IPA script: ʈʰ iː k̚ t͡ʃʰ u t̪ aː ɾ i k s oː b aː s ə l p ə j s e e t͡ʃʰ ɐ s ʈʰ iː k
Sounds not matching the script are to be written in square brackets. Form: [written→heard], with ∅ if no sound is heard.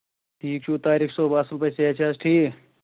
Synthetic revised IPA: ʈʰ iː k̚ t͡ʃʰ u t̪ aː ɾ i k s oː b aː s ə l p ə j s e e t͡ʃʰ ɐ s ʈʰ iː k